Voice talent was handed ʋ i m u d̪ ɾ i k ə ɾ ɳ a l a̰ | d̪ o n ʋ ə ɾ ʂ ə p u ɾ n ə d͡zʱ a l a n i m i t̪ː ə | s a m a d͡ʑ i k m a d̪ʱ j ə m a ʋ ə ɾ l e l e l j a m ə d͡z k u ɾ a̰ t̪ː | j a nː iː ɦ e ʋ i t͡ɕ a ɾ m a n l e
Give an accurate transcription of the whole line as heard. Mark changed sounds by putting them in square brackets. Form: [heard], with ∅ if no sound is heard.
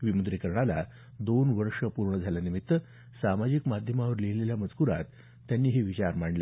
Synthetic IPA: ʋ i m u d̪ ɾ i k ə ɾ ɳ a l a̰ | d̪ o n ʋ ə ɾ ʂ ə p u ɾ [ɳ] ə d͡zʱ a l a n i m i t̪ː ə | s a m a d͡ʑ i k m a d̪ʱ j ə m a ʋ ə ɾ l e l e l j a m ə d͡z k u ɾ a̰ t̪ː | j a nː iː ɦ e ʋ i t͡ɕ a ɾ m a [ɳ] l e